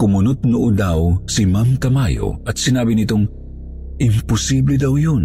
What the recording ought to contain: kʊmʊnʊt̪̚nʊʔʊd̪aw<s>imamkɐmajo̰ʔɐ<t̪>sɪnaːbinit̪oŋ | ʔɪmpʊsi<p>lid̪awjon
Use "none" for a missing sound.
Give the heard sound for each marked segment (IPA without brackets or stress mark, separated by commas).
s, t̪, b